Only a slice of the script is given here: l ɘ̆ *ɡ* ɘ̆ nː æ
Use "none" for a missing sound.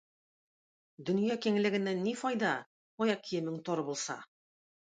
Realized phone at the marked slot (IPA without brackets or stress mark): ɡ